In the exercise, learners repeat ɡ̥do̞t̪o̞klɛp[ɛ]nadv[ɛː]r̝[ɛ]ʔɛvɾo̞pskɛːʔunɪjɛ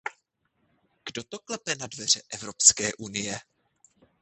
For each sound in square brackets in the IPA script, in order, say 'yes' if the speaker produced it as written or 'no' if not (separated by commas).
yes, no, yes